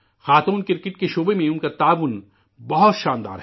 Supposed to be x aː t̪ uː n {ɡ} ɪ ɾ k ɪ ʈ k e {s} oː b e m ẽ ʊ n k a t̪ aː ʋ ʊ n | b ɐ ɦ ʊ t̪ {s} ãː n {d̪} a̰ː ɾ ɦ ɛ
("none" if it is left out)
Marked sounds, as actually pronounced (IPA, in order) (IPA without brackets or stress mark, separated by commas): k, ʃ, ʃ, d̪